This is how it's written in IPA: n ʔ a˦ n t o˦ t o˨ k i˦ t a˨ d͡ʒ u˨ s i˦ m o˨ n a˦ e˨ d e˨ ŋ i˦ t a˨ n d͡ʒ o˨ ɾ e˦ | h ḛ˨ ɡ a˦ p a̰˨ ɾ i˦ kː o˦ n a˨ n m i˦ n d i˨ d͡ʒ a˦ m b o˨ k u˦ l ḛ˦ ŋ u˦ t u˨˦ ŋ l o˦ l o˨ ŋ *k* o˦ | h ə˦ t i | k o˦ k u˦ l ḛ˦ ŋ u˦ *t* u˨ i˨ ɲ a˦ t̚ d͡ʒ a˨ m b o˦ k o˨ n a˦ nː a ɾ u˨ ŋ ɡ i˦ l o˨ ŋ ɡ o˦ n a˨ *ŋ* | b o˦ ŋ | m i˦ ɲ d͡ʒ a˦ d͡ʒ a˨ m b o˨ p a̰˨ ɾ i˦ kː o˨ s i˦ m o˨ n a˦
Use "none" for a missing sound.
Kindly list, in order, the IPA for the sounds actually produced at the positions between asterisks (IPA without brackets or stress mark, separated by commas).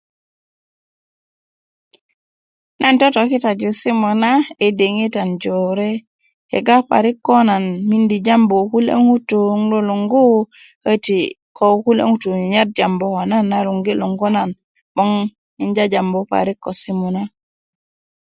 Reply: ɡ, t, n